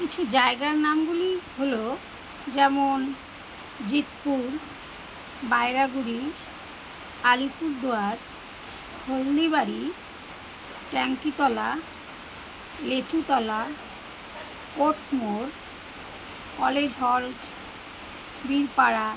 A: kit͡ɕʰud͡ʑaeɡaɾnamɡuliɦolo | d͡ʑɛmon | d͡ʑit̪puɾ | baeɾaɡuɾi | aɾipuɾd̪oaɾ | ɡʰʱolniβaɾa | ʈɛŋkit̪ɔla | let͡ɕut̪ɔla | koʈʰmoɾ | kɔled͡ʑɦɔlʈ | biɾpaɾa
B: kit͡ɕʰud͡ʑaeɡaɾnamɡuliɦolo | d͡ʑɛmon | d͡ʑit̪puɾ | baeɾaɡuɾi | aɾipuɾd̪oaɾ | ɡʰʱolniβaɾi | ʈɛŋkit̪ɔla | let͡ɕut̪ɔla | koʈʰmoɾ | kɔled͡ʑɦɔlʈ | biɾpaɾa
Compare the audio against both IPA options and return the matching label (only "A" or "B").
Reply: B